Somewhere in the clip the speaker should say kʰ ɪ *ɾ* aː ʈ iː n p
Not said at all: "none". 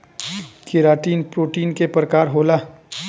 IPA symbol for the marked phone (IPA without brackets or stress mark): ɾ